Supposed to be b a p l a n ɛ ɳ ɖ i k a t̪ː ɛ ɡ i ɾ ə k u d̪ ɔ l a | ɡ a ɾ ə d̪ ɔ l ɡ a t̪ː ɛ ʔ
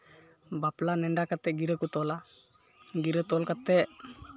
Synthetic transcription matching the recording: b a p l a n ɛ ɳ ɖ a k a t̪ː ɛ ɡ i ɾ ə k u t̪ ɔ l a | ɡ i ɾ ə t̪ ɔ l k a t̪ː ɛ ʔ

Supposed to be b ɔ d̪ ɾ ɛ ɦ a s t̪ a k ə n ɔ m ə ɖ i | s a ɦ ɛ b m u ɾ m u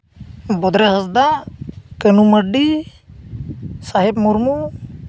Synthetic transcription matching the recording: b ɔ d̪ ɾ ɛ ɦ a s d̪ a k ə n u m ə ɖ i | s a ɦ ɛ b m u ɾ m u

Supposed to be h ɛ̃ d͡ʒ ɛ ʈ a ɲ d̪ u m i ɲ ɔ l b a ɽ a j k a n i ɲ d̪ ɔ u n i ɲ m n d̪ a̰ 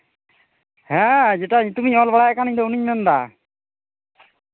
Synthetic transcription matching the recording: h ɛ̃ d͡ʒ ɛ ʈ a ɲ t̪ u m i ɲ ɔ l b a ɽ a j k a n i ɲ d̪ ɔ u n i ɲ m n d̪ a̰

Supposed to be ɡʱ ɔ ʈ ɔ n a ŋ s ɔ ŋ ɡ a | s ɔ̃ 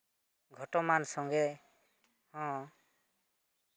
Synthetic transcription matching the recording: ɡʱ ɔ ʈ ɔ m a n s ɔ ŋ ɡ ɛ | h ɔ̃

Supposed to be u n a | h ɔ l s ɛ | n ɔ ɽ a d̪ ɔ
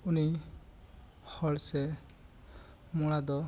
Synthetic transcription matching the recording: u n i | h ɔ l s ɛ | m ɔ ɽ a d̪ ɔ

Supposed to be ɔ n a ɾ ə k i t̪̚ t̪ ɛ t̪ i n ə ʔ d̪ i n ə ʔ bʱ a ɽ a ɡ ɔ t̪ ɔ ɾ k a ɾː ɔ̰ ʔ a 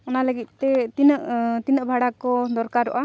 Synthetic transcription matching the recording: ɔ n a l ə ɡ i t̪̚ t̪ ɛ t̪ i n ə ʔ t̪ i n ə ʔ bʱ a ɽ a k ɔ d̪ ɔ ɾ k a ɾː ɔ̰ ʔ a

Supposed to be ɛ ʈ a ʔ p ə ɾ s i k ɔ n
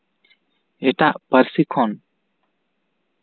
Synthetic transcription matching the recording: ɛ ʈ a ʔ p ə ɾ s i kʰ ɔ n

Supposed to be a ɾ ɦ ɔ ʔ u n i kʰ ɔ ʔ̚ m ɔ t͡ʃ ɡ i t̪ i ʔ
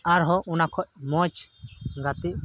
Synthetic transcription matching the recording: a ɾ ɦ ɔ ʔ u n a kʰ ɔ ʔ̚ m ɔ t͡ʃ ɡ a t̪ i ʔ

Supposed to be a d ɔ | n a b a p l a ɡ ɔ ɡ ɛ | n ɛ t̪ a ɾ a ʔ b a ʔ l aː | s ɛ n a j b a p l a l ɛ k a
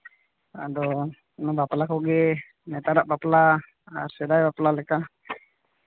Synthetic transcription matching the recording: a d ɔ | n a b a p l a k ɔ ɡ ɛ | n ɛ t̪ a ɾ a ʔ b a p l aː | s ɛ d a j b a p l a l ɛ k a

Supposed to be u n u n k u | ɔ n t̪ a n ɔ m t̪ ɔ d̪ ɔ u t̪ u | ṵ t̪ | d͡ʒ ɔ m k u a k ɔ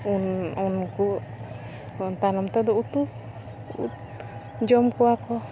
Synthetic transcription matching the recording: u n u n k u | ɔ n t̪ a n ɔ m t̪ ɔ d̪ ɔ u t̪ u | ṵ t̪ | d͡ʒ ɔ m k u a k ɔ

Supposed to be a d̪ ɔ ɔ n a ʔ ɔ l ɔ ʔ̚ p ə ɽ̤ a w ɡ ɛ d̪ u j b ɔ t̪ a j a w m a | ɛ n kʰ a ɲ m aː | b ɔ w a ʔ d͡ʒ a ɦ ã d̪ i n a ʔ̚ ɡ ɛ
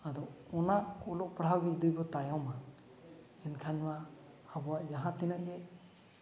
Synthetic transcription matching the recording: a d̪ ɔ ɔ n a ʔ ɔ l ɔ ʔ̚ p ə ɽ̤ a w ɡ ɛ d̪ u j b ɔ t̪ a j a w m a | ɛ n kʰ a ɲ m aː | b ɔ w a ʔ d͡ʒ a ɦ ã t̪ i n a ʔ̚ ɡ ɛ

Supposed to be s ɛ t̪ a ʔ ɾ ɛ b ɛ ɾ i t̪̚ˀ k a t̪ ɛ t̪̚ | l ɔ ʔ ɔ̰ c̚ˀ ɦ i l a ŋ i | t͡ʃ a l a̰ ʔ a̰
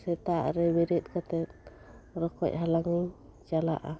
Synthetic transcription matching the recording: s ɛ t̪ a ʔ ɾ ɛ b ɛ ɾ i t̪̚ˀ k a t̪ ɛ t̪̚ | ɾ ɔ k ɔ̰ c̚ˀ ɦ a l a ŋ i | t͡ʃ a l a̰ ʔ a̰

